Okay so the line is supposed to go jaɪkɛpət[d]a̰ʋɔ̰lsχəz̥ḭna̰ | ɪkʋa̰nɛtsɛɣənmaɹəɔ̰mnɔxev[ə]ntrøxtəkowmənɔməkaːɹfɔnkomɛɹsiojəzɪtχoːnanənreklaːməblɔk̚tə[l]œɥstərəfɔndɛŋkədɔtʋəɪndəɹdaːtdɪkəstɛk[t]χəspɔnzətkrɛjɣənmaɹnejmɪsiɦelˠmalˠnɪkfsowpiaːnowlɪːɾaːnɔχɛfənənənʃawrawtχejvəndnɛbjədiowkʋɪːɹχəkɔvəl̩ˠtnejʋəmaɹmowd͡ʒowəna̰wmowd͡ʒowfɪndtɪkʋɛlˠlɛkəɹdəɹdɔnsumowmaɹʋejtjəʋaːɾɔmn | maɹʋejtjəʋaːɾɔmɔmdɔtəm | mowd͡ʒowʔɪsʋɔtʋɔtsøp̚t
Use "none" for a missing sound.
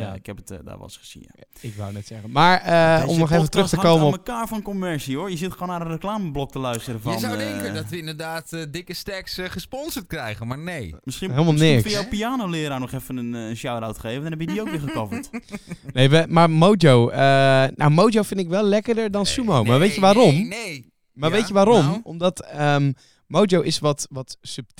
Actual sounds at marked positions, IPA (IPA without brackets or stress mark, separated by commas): d, ə, l, s